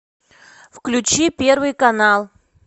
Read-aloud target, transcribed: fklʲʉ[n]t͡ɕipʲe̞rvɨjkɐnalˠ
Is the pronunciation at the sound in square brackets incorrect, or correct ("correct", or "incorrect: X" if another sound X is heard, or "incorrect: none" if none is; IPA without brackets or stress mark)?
incorrect: none